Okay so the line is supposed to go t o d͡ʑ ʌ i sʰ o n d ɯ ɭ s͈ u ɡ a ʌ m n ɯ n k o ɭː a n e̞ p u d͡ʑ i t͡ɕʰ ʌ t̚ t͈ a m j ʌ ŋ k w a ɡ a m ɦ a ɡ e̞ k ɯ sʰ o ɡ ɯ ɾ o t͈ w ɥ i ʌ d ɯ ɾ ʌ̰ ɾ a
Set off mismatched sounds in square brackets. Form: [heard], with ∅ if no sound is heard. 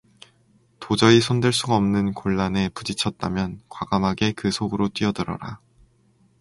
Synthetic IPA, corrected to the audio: t o d͡ʑ ʌ i sʰ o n d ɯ ɭ s͈ u ɡ a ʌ m n ɯ n k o ɭː a n e̞ p u d͡ʑ i t͡ɕʰ ʌ t̚ t͈ a m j ʌ [n] k w a ɡ a m ɦ a ɡ e̞ k ɯ sʰ o ɡ ɯ ɾ o t͈ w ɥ i ʌ d ɯ ɾ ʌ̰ ɾ a